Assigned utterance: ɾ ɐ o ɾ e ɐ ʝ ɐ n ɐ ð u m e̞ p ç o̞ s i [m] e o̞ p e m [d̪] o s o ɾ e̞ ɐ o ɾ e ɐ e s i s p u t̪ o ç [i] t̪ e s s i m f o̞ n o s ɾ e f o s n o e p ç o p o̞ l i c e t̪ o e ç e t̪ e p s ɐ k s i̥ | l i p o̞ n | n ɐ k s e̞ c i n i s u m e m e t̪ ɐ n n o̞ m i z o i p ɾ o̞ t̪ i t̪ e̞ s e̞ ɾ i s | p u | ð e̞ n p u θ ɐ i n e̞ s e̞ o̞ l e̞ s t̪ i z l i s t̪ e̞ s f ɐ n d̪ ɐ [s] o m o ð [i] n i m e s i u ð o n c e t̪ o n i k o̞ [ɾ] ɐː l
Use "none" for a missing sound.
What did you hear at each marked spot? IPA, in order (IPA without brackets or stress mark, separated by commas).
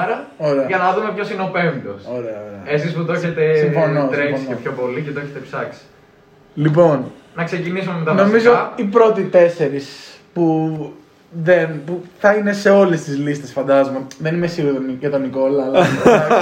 n, d̪, e, z, e, l